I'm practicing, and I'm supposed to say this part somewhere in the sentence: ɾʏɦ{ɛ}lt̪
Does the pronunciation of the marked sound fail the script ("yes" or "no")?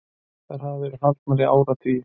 yes